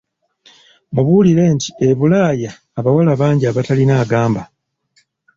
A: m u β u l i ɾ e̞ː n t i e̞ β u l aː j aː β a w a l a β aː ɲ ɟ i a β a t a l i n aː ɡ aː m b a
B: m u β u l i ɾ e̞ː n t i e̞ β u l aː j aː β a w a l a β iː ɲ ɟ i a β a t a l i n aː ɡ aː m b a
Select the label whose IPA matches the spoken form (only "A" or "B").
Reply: A